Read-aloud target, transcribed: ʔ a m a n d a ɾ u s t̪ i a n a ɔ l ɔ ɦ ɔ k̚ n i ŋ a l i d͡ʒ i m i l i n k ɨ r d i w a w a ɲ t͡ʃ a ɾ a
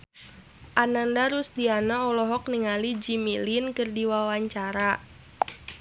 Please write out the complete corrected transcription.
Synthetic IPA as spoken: ʔ a n a n d a ɾ u s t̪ i a n a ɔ l ɔ ɦ ɔ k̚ n i ŋ a l i d͡ʒ i m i l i n k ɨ r d i w a w a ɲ t͡ʃ a ɾ a